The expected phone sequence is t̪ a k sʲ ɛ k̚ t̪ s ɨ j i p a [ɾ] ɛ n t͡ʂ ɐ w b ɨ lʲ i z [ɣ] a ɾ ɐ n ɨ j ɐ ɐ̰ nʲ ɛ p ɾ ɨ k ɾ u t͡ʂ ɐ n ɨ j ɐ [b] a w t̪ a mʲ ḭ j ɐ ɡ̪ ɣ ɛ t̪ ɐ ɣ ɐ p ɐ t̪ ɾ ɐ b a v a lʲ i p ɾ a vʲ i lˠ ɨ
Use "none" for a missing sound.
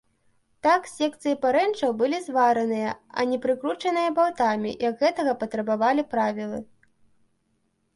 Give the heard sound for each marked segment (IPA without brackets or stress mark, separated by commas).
ɾ, v, b